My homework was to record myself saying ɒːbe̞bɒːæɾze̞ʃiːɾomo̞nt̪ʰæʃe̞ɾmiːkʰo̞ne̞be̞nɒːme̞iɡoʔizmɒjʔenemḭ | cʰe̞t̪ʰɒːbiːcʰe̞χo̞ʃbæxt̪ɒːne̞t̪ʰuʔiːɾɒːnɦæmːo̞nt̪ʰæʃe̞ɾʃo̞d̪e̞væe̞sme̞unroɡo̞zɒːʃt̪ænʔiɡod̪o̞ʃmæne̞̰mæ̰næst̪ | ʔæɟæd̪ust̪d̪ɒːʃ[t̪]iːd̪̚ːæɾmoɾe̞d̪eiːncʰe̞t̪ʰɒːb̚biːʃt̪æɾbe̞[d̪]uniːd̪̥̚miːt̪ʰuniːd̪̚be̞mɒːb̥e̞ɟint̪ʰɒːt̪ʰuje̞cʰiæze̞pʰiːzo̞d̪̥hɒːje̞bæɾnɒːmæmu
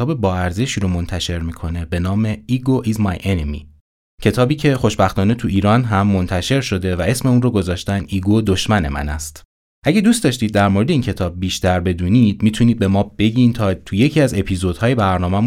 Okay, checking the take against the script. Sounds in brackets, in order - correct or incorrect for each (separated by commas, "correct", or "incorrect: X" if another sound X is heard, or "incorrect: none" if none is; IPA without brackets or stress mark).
correct, correct